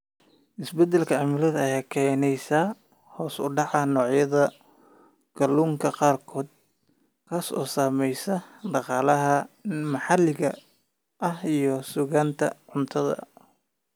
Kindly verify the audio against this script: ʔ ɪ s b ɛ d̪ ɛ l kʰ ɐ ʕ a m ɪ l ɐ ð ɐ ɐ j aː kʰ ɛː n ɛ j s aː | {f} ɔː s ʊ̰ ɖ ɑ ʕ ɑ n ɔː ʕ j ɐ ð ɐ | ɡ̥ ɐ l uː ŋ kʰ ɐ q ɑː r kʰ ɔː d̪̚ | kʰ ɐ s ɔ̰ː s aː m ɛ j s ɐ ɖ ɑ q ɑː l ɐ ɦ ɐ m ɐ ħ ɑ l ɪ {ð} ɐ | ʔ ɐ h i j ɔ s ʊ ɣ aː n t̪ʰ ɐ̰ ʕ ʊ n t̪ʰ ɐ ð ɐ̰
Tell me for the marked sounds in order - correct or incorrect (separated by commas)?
incorrect, incorrect